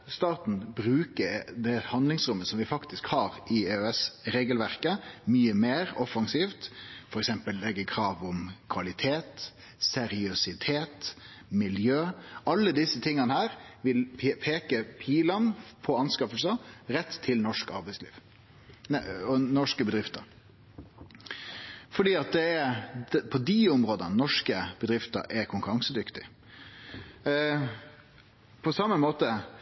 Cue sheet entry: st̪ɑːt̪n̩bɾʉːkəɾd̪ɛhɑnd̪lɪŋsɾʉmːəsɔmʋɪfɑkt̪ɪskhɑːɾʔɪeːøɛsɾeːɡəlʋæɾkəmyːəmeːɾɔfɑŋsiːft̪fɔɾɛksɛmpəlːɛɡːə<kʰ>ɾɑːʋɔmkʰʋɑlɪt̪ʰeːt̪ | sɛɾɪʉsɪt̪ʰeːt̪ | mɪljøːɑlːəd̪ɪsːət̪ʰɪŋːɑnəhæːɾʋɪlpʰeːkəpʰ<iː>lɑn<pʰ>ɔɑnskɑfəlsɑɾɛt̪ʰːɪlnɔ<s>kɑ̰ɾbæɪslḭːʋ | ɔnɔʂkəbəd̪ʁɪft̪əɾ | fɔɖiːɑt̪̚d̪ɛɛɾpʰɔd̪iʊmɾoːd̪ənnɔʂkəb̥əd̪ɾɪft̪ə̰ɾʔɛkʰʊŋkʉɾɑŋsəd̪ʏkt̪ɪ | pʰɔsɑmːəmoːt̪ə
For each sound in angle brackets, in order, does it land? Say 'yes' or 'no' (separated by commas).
yes, yes, yes, no